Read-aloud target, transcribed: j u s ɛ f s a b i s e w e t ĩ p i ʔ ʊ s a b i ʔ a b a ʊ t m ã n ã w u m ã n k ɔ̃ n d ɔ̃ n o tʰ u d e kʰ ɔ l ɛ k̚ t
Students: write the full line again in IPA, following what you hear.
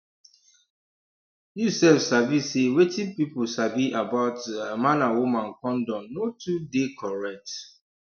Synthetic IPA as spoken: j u s ɛ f s a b i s e w e t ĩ p i p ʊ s a b i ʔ a b a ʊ t m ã n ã w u m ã n k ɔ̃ n d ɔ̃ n o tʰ u d e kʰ ɔ ɹ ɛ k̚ t

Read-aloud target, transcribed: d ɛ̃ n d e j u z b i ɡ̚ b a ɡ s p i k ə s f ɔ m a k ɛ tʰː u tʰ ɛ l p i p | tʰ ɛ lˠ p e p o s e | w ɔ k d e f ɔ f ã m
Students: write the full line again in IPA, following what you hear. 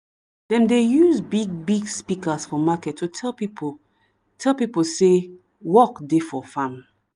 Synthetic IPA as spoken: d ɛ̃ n d e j u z b i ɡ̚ b i ɡ s p i k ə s f ɔ m a k ɛ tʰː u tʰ ɛ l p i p | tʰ ɛ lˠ p i p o s e | w ɔ k d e f ɔ f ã m

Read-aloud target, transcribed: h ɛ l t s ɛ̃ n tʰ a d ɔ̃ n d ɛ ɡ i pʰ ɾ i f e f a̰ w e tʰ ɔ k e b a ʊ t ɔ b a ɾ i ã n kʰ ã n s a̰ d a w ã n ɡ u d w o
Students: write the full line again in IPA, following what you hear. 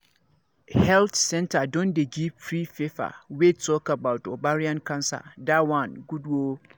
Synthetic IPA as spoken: h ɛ l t s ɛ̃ n tʰ a d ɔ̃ n d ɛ ɡ i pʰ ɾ i f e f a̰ w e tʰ ɔ k a b a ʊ t ɔ b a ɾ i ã n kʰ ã n s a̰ d a w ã n ɡ u d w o

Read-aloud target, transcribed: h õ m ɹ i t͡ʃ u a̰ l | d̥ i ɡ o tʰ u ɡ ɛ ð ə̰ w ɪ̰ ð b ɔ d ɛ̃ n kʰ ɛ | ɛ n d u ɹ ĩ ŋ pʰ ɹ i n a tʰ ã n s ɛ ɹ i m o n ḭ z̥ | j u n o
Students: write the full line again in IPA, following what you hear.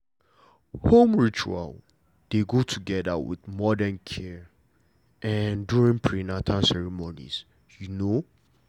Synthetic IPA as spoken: h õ m ɹ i t͡ʃ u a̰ l | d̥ e ɡ o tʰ u ɡ ɛ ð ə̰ w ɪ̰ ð m ɔ d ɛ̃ n kʰ ɛ | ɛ n d u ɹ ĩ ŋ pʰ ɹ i n a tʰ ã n s ɛ ɹ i m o n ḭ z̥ | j u n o

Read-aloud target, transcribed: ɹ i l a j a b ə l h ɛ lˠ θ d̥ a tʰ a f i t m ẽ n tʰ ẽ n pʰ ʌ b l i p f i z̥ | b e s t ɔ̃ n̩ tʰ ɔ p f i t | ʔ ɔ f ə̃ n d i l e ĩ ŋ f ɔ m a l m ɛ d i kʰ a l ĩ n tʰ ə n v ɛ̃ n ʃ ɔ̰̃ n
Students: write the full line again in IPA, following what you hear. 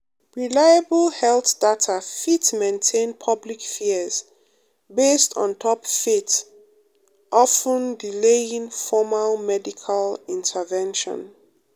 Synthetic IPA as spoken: ɹ i l a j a b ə l h ɛ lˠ θ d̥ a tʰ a f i t m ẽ n tʰ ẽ n pʰ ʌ b l i k f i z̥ | b e s t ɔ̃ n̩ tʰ ɔ p f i t | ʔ ɔ f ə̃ n d i l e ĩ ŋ f ɔ m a l m ɛ d i kʰ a l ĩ n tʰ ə v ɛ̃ n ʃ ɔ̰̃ n

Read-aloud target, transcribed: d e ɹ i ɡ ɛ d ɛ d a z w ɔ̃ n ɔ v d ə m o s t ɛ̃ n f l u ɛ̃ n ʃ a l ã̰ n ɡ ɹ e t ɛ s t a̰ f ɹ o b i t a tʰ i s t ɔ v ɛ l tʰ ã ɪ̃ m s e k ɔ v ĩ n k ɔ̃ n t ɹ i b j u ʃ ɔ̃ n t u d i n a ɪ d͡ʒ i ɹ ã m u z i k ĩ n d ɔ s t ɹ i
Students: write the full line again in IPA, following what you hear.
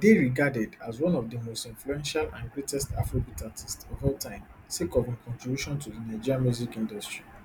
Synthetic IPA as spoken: d e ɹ i ɡ a d ɛ d a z w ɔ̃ n ɔ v d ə m o s t ĩ n f l u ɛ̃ n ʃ a l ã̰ n ɡ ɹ e t ɛ s t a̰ f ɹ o b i t a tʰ i s t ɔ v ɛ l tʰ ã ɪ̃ m s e k ɔ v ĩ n k ɔ̃ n t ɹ i b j u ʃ ɔ̃ n t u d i n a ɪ d͡ʒ i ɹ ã m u z i k ĩ n d ɔ s t ɹ i

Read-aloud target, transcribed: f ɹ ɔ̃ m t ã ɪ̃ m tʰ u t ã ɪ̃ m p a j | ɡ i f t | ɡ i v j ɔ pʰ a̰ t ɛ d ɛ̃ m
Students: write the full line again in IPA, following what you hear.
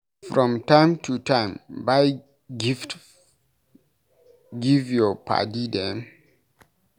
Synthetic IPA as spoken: f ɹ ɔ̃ m t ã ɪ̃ m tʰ u t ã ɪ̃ m b a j | ɡ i f t | ɡ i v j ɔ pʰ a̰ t i d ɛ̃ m

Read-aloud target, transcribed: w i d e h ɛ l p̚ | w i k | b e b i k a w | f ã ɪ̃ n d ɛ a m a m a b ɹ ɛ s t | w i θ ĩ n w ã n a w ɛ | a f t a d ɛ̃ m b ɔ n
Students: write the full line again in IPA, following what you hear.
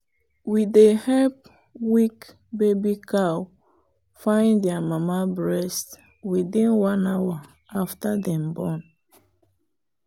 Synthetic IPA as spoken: w i d e h ɛ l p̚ | w i k | b e b i k a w | f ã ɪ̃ n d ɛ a m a m a b ɹ ɛ s t | w i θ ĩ n w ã n a w a | a f t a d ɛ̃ m b ɔ n

